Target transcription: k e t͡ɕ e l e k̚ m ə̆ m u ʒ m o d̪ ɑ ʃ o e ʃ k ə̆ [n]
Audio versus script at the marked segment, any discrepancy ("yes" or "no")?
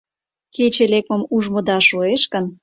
no